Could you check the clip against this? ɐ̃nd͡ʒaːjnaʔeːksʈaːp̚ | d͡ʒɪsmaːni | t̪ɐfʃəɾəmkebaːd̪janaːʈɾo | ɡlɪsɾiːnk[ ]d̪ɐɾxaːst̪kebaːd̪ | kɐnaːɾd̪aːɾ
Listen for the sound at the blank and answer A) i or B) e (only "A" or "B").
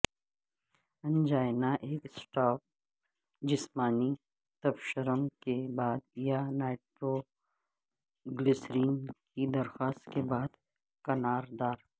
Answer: A